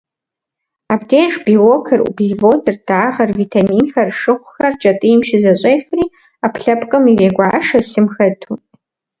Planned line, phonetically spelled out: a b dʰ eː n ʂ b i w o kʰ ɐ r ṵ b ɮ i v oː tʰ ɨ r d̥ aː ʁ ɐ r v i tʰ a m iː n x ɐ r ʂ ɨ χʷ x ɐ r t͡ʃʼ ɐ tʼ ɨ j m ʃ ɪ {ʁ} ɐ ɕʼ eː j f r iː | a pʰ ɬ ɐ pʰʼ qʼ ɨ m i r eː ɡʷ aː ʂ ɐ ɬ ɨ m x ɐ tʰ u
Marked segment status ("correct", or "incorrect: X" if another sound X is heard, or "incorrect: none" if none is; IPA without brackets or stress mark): incorrect: z